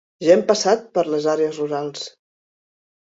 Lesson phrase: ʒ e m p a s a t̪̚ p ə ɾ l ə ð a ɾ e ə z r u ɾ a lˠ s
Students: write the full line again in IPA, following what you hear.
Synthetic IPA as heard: ʒ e m p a s a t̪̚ p ə ɾ l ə z a ɾ e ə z r u ɾ a lˠ s